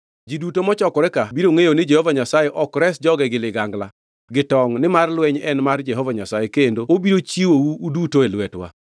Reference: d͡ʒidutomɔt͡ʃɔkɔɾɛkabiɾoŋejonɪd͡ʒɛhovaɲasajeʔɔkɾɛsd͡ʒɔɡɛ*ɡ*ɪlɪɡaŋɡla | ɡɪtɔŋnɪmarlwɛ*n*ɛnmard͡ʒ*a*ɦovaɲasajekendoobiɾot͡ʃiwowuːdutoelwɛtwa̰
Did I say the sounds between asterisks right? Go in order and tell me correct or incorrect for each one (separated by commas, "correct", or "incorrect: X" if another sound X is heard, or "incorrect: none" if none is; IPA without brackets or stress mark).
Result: correct, incorrect: ɲ, incorrect: ɛ